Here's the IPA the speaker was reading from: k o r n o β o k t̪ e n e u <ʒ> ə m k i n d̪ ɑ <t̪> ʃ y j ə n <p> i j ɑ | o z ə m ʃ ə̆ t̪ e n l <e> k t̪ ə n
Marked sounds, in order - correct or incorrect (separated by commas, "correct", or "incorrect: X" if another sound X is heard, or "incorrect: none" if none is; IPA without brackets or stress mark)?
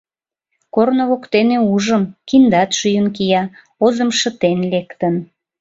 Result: correct, correct, incorrect: k, correct